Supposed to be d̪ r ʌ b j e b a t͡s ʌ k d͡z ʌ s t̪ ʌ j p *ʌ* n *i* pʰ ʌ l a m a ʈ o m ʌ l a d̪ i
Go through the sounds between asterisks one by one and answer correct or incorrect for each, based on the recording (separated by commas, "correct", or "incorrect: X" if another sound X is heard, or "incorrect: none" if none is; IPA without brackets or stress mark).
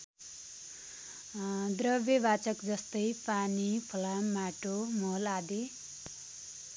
incorrect: a, correct